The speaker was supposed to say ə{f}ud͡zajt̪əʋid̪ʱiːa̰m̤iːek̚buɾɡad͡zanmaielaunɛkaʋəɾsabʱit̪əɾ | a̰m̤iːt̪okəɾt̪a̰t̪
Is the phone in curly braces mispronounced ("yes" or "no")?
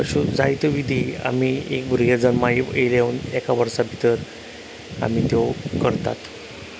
yes